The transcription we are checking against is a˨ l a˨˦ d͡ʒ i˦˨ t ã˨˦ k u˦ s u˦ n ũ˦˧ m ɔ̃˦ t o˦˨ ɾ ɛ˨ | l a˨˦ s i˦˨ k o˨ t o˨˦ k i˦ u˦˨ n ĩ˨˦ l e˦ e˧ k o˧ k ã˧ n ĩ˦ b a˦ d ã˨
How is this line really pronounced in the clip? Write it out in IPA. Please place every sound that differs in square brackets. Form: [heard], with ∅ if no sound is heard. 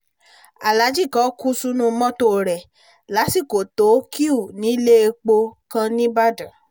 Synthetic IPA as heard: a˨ l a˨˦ d͡ʒ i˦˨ [k] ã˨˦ k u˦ s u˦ n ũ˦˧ m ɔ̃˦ t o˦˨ ɾ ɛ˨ | l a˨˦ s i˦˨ k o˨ t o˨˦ k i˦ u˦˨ n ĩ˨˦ l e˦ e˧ [k͡p] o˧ k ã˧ n ĩ˦ b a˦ d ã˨